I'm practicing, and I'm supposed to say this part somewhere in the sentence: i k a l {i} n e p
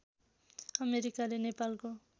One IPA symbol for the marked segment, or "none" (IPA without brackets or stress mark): e